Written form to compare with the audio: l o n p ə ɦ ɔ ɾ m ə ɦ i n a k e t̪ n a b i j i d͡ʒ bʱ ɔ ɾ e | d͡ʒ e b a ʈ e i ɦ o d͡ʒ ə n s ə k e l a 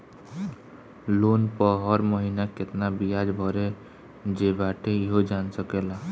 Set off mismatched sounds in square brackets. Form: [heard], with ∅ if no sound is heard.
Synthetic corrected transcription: l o n p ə ɦ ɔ ɾ m ə ɦ i n a k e t̪ n a b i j [a] d͡ʒ bʱ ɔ ɾ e | d͡ʒ e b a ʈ e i ɦ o d͡ʒ [a] n s ə k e l a